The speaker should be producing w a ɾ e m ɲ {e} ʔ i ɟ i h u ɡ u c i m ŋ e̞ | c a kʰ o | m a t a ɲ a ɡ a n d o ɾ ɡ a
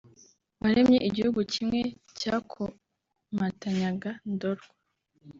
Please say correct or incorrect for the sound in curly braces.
correct